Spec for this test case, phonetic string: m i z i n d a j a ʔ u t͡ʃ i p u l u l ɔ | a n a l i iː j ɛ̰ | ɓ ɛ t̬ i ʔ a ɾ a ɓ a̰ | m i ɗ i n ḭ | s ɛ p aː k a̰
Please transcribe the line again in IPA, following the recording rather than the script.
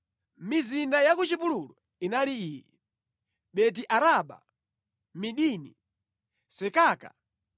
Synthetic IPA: m i z i n d a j a k u t͡ʃ i p u l u l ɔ | i n a l i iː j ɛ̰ | ɓ ɛ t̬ i ʔ a ɾ a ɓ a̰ | m i ɗ i n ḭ | s ɛ k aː k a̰